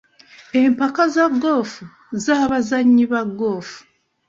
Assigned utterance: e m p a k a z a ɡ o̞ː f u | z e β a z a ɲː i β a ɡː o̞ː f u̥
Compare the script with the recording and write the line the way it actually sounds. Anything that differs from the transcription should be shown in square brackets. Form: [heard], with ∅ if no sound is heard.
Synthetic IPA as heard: e m p a k a z a ɡ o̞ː f u | z [a] β a z a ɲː i β a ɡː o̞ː f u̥